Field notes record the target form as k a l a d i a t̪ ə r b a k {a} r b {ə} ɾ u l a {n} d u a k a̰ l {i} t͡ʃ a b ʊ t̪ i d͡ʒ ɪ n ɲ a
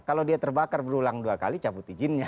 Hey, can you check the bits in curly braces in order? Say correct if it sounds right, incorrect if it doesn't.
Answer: correct, correct, incorrect: ŋ, correct

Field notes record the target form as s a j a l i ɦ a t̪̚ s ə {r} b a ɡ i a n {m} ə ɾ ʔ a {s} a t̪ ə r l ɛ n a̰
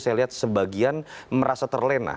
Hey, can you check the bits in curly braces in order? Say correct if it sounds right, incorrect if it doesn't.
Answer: incorrect: none, correct, correct

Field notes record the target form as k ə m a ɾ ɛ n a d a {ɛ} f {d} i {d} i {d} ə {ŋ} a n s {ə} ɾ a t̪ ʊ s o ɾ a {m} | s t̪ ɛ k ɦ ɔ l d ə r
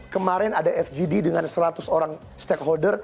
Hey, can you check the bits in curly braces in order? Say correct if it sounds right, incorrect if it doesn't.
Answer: correct, incorrect: d͡ʒ, correct, correct, correct, correct, incorrect: ŋ

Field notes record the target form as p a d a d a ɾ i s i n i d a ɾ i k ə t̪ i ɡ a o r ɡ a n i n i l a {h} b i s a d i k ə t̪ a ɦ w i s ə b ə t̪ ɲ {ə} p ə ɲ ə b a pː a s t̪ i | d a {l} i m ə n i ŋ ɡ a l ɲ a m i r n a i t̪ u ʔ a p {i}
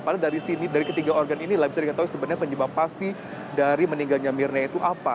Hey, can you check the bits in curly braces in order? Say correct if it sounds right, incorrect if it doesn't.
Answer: correct, incorrect: a, incorrect: ɾ, incorrect: a

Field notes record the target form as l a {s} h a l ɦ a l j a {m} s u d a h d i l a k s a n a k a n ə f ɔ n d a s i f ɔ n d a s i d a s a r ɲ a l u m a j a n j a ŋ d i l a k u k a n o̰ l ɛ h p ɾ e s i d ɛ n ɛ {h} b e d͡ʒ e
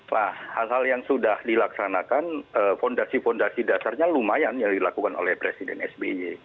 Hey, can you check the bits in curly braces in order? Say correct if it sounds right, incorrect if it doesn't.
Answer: incorrect: h, incorrect: ŋ, incorrect: s

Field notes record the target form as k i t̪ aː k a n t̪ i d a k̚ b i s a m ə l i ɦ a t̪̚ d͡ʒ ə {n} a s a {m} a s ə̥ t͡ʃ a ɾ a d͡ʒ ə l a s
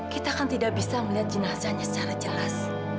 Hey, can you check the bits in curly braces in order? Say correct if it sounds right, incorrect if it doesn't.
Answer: correct, incorrect: ɲ

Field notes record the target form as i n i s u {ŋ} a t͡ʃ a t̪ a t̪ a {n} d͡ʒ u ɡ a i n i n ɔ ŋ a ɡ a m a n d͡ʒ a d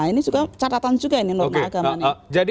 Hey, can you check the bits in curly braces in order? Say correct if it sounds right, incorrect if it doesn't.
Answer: incorrect: ɡ, correct

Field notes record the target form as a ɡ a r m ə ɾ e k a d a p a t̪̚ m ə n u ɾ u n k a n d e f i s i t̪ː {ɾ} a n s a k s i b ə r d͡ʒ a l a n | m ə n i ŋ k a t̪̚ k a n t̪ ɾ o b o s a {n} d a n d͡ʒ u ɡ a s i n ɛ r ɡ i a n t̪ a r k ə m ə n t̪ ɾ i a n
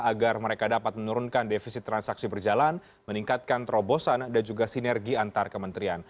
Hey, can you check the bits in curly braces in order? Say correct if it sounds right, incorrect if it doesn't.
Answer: correct, correct

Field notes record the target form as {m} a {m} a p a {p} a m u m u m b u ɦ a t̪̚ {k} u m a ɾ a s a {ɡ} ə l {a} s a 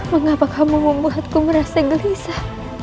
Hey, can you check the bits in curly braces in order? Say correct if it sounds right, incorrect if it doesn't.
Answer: correct, incorrect: ŋ, incorrect: k, correct, correct, incorrect: i

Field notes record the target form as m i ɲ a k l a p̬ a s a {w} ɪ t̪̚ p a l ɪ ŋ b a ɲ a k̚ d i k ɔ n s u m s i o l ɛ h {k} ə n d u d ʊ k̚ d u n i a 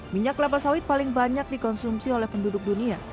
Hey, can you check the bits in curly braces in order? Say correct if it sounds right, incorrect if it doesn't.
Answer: correct, incorrect: p

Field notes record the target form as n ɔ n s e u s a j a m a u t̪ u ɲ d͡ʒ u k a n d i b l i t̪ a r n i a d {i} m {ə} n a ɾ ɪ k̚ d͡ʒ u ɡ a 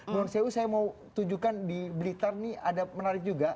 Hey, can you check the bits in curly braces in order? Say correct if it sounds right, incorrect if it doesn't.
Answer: incorrect: a, correct

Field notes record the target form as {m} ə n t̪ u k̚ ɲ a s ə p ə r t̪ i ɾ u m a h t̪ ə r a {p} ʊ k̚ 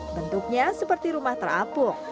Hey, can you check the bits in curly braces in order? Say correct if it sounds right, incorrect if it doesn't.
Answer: incorrect: b, correct

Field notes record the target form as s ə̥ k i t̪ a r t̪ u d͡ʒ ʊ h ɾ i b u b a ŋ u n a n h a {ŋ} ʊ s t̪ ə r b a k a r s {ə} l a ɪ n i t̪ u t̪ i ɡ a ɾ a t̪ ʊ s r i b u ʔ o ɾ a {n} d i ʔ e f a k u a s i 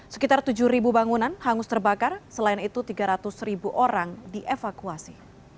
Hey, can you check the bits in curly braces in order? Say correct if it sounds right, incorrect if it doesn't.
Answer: correct, correct, incorrect: ŋ

